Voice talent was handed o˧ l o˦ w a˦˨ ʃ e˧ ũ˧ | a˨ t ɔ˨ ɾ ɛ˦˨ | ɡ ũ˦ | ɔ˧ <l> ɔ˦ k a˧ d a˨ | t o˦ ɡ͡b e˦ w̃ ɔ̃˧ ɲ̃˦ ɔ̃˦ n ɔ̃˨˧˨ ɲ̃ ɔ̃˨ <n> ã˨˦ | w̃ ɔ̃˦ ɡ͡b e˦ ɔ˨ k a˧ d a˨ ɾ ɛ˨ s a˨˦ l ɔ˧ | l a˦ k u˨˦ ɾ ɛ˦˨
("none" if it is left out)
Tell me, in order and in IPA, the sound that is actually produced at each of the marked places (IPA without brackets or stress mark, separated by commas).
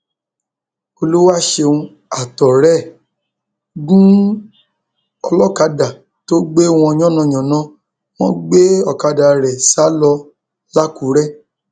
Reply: l, n